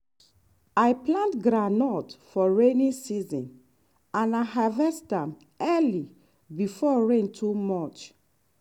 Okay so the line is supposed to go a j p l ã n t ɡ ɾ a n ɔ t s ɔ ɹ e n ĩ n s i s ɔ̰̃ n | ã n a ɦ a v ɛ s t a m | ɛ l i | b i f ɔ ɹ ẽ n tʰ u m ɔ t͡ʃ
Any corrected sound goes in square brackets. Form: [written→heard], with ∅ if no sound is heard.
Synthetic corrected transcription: a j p l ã n t ɡ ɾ a n ɔ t [s→f] ɔ ɹ e n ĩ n s i [s→z] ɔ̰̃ n | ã n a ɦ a v ɛ s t a m | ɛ l i | b i f ɔ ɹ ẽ n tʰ u m ɔ t͡ʃ